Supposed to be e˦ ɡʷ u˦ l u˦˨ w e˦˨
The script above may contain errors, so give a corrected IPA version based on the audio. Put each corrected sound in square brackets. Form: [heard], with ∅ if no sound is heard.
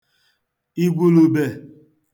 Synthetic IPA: [i˦] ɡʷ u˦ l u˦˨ [b] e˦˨